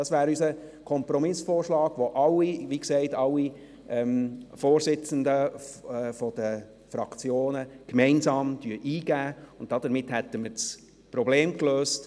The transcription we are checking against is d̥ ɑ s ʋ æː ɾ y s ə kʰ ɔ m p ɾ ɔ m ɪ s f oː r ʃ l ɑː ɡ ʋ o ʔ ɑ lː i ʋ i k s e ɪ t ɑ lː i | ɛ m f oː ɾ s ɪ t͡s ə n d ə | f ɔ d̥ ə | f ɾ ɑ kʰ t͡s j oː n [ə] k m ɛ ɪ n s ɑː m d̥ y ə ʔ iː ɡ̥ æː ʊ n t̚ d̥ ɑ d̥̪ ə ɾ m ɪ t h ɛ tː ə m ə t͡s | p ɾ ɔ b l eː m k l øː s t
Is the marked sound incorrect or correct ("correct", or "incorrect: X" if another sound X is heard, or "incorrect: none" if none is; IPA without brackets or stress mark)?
correct